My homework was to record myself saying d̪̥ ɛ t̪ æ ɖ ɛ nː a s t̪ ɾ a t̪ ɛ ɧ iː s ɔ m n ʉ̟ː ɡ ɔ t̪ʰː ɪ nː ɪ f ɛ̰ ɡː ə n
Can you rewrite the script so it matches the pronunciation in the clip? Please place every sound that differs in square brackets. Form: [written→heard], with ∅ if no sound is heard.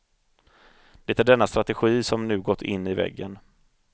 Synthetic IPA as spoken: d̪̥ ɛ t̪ æ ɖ ɛ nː a s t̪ ɾ a t̪ ɛ ɧ iː s ɔ m n ʉ̟ː ɡ ɔ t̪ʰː ɪ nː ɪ [f→v] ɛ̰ ɡː ə n